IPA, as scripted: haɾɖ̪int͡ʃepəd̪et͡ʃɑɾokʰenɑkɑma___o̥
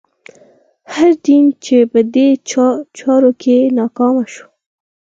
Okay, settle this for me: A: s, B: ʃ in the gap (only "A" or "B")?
B